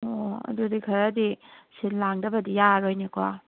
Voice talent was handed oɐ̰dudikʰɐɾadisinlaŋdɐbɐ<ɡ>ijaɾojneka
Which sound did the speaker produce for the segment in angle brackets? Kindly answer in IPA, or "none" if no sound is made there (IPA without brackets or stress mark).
d